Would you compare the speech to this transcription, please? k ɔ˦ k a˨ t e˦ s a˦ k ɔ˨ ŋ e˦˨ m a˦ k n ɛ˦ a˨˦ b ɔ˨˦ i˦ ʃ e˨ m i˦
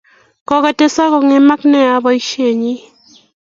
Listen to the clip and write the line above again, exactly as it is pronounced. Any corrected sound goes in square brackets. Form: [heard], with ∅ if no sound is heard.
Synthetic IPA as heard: k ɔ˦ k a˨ t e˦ s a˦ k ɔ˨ ŋ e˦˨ m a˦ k n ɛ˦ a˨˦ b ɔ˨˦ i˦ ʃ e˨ [ɲ] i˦